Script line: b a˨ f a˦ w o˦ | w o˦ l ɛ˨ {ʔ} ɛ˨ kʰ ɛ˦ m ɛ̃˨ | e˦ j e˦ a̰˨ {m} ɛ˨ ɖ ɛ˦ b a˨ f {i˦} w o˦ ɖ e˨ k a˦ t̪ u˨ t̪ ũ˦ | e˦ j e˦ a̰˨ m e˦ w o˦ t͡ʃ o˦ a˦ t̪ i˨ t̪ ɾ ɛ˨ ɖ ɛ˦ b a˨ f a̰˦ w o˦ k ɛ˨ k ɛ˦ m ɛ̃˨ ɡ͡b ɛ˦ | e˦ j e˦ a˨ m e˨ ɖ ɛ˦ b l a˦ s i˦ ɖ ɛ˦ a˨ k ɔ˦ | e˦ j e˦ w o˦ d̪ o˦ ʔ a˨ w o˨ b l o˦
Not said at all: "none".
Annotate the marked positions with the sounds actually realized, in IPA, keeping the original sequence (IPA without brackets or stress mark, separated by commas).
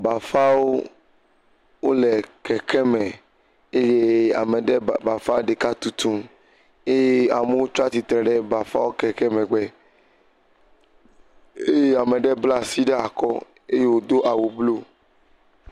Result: k, m, a˦